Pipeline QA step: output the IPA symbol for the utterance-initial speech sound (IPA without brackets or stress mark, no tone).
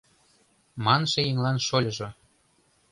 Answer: m